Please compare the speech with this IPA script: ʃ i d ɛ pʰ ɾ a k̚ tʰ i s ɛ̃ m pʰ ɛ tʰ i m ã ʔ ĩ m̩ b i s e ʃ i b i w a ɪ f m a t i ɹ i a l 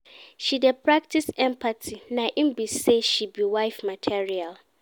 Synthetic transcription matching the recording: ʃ i d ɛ pʰ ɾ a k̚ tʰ i s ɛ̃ m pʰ a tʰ i n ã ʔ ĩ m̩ b i s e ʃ i b i w a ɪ f m a tʰ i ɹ i a l